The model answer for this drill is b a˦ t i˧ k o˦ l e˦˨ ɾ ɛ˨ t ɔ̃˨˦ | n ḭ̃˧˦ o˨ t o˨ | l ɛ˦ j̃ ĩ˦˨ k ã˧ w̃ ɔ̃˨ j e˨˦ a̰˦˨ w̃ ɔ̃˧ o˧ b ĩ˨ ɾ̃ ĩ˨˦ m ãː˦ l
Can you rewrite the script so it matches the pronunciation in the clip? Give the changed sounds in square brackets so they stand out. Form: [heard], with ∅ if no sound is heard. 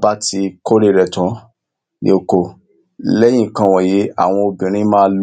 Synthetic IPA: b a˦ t i˧ k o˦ [ɾ] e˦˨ ɾ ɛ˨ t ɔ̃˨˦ | n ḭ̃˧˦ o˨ [k] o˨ | l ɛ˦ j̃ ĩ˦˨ k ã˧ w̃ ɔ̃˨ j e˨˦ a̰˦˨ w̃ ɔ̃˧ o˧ b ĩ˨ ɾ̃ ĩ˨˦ m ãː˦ l